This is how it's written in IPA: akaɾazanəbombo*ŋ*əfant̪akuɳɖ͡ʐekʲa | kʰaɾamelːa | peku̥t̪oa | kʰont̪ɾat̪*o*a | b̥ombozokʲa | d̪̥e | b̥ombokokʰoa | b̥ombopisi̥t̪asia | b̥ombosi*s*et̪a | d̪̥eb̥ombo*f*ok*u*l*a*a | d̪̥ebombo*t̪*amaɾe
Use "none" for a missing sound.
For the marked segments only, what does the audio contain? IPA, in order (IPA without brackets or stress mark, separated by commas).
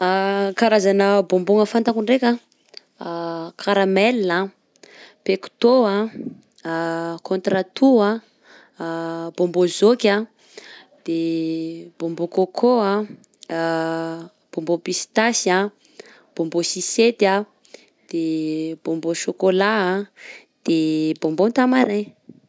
ŋ, u, s, ʃ, o, a, t̪